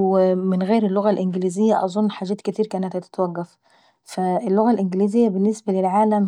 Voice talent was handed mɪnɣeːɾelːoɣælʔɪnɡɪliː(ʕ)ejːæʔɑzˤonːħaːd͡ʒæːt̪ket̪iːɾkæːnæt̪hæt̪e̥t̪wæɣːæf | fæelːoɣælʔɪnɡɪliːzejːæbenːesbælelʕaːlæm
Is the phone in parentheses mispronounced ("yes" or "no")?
yes